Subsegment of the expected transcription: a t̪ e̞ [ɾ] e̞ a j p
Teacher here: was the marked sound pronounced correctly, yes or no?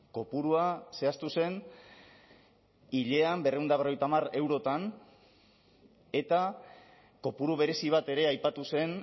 yes